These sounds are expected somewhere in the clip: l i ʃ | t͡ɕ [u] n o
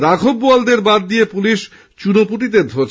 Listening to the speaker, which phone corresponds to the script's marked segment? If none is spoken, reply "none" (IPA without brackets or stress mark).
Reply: u